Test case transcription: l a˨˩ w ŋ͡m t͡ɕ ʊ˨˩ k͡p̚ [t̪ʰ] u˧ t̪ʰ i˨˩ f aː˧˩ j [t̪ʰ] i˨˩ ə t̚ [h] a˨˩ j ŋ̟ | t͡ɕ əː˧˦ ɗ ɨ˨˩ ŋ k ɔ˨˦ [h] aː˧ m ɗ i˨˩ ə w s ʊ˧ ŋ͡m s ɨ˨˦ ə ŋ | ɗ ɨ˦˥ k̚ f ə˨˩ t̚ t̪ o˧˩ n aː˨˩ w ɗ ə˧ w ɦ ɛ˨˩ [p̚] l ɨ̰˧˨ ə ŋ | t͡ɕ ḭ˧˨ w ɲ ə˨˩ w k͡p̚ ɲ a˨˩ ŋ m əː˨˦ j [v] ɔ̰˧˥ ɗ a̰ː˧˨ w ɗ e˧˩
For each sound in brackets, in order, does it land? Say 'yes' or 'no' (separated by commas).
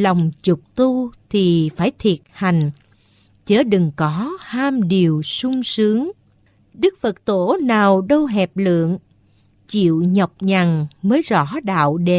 no, yes, yes, yes, yes, no